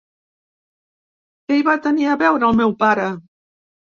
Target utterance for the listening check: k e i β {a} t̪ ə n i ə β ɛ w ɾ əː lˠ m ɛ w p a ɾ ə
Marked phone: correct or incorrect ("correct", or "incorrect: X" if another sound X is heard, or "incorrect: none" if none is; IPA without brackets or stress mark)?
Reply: correct